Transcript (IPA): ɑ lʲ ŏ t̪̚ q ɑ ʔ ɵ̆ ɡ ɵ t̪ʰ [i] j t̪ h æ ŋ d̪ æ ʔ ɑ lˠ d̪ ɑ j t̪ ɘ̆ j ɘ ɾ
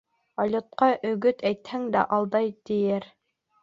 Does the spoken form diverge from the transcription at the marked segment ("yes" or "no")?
yes